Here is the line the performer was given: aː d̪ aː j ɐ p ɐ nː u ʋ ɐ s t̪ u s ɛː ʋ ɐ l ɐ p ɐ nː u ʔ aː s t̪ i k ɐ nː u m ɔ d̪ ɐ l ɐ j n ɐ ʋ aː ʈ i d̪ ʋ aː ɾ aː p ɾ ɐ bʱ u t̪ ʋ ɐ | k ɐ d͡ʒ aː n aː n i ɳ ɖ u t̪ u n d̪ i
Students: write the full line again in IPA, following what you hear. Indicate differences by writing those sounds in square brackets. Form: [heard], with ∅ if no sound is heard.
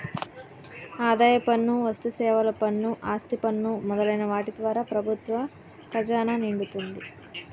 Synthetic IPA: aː d̪ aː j ɐ p ɐ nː u ʋ ɐ s t̪ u s ɛː ʋ ɐ l ɐ p ɐ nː u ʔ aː s t̪ i [p] ɐ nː u m ɔ d̪ ɐ l ɐ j n ɐ ʋ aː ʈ i d̪ ʋ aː ɾ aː p ɾ ɐ bʱ u t̪ ʋ ɐ | k ɐ d͡ʒ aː n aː n i ɳ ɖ u t̪ u n d̪ i